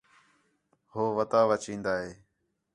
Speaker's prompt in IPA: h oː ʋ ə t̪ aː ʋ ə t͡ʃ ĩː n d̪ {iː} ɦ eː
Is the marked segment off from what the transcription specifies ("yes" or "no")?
yes